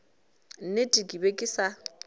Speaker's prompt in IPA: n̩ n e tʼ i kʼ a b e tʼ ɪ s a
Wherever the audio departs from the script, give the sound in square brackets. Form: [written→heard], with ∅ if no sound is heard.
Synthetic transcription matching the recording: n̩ n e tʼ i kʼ [a→i] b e [tʼ→kʼ] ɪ s a